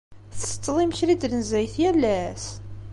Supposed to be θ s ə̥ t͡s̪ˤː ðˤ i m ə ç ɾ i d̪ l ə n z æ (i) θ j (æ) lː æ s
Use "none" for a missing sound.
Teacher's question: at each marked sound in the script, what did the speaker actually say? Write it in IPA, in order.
j, æ

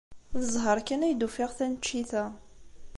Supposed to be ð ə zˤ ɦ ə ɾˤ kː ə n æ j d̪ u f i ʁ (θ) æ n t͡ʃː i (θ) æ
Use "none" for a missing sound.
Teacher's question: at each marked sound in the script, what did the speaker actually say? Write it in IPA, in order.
θ, θ

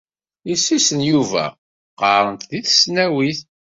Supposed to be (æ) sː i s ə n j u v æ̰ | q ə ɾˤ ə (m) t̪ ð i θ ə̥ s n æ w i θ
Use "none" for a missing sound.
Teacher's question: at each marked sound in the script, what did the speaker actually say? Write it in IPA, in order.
i, n

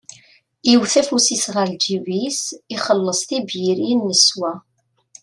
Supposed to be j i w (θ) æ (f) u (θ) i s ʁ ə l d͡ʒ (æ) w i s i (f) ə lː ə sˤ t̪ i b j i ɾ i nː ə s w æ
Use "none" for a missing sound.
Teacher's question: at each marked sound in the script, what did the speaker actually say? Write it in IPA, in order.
θ, f, s, i, χ

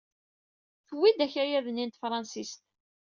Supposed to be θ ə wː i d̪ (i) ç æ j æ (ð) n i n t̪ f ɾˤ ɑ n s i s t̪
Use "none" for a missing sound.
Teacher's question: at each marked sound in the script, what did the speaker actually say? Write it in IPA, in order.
æ, ð

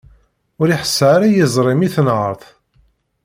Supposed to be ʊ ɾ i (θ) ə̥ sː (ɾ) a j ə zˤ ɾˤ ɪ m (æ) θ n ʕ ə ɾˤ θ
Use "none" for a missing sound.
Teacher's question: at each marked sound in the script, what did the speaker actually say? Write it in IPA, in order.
ħ, ɾ, i

